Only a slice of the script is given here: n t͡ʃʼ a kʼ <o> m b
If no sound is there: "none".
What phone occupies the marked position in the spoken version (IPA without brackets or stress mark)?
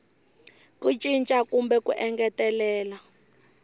u